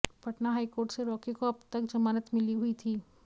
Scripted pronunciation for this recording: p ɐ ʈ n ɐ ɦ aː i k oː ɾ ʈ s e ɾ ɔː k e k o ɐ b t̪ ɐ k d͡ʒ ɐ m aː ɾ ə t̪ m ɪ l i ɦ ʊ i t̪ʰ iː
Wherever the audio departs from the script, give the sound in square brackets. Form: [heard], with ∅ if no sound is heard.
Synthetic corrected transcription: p ɐ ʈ n [a] ɦ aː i k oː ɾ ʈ s e ɾ ɔː k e k o ɐ b t̪ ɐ k d͡ʒ ɐ m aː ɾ ə t̪ m ɪ l i ɦ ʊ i t̪ʰ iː